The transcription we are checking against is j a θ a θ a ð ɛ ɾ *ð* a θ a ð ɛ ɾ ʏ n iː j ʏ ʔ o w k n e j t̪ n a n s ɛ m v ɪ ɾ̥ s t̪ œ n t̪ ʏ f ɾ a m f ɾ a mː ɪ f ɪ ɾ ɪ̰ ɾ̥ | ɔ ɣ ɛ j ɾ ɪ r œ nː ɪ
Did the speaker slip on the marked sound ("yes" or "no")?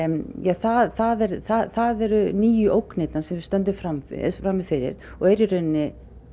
yes